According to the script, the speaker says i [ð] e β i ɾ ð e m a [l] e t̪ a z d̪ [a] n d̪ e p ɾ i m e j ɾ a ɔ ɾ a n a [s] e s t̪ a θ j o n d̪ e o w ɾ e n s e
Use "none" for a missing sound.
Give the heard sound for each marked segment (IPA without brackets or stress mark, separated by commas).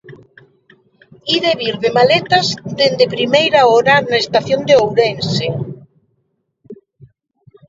ð, l, e, none